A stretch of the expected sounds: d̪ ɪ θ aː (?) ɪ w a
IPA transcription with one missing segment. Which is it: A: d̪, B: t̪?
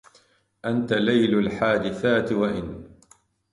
B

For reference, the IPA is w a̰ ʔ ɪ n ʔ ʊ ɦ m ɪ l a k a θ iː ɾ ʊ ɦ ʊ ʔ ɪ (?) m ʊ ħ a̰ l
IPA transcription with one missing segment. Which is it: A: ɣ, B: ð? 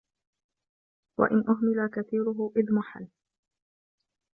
B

